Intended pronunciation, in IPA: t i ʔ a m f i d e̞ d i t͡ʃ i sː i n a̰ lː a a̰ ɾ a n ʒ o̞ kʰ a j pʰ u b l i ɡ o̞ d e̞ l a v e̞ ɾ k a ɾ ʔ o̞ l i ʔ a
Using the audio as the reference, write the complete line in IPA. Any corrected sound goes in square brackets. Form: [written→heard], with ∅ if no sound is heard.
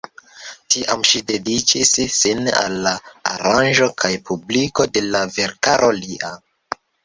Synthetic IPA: t i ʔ a m [f→ʃ] i d e̞ d i t͡ʃ i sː i n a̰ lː a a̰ ɾ a n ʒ o̞ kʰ a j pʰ u b l i [ɡ→k] o̞ d e̞ l a v e̞ ɾ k a ɾ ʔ o̞ l i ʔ a